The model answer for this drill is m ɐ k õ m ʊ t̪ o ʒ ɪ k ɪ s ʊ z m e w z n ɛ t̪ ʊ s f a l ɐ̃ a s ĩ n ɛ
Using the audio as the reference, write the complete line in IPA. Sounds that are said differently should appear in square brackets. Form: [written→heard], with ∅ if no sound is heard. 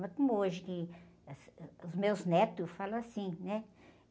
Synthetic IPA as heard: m ɐ k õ m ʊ [t̪→∅] o ʒ ɪ k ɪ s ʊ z m e w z n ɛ t̪ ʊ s f a l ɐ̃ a s ĩ n ɛ